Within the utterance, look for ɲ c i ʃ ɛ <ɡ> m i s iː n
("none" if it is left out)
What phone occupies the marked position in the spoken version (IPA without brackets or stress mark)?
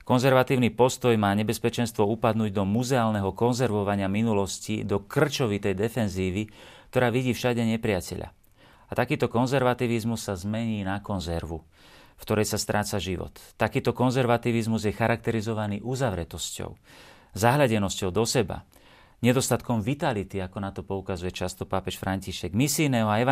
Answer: ɡ